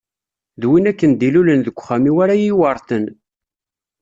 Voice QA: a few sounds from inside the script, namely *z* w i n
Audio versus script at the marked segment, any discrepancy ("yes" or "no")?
yes